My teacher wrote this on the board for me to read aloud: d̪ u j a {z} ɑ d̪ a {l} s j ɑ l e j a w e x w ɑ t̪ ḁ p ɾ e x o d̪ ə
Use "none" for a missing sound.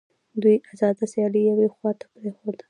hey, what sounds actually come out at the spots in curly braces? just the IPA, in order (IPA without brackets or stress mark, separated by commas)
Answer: z, none